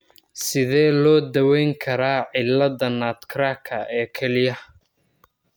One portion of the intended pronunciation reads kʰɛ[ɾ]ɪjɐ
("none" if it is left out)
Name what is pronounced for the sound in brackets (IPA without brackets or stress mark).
l